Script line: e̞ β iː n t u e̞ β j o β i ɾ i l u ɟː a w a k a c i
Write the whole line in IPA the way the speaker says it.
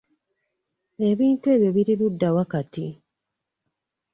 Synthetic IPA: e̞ β iː n t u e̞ β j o β i ɾ i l u dː a w a k a t i